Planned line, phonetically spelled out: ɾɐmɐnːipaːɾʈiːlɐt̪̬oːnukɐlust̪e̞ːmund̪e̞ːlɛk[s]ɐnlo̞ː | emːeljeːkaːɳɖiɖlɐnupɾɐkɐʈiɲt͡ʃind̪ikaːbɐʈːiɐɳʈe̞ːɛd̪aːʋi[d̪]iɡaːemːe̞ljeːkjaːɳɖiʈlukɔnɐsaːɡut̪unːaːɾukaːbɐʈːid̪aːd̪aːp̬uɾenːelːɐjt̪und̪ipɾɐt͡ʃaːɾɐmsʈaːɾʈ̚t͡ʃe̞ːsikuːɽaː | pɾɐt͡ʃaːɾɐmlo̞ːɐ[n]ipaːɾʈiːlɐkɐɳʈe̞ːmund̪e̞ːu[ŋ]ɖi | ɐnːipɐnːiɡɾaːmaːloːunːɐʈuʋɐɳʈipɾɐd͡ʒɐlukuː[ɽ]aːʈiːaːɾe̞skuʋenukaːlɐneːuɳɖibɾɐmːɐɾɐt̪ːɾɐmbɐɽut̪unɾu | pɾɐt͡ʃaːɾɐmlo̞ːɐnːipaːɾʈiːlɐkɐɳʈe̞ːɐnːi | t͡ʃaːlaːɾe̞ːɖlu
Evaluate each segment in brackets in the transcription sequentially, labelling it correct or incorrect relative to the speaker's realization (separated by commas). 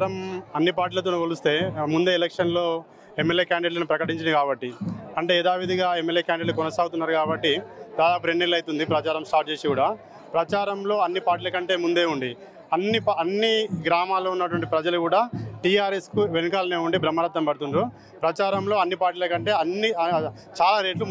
incorrect, correct, incorrect, incorrect, correct